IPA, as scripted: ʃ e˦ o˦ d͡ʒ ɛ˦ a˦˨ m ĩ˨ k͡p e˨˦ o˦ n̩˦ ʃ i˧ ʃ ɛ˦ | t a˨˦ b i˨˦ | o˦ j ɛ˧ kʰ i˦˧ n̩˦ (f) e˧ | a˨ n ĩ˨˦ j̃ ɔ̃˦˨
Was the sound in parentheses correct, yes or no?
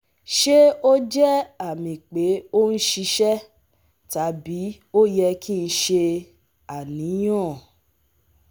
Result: no